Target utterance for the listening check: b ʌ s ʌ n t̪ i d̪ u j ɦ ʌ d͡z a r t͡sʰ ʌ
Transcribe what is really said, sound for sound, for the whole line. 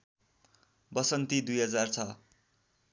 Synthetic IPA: b ʌ s ʌ n t̪ i d̪ u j ɦ ʌ d͡z a r t͡sʰ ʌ